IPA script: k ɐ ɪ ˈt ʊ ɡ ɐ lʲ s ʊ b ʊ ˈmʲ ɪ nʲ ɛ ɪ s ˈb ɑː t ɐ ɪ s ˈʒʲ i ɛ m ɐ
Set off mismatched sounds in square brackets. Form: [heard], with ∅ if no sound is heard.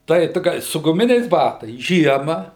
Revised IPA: [t] ɐ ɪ ˈt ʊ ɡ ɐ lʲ s ʊ [ɡ] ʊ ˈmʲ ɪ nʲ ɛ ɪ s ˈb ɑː t ɐ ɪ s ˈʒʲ i ɛ m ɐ